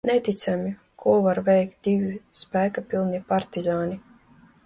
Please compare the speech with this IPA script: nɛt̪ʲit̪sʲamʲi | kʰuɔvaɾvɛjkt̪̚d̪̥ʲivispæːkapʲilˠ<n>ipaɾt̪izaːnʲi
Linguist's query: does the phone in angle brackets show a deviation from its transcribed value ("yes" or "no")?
no